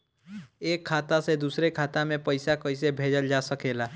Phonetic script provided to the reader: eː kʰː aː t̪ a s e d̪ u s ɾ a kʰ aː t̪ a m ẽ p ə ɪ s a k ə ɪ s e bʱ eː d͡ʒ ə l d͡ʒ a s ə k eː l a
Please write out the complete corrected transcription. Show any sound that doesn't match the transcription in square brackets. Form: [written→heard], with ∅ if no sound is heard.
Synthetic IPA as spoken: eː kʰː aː t̪ a s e d̪ u s ɾ [a→e] kʰ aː t̪ a m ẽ p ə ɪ s a k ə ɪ s e bʱ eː d͡ʒ ə l d͡ʒ a s ə k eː l a